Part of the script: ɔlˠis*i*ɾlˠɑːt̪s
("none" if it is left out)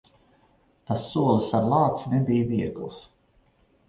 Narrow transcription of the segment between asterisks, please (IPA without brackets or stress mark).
a